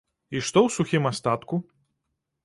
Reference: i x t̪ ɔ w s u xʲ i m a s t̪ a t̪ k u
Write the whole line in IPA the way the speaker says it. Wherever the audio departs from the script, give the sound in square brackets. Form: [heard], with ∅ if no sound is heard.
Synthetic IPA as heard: i [ʂ] t̪ ɔ w s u xʲ i m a s t̪ a t̪ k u